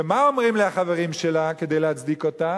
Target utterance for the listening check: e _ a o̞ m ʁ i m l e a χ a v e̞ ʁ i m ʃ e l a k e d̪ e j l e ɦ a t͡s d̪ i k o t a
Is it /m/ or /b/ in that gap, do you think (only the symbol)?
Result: m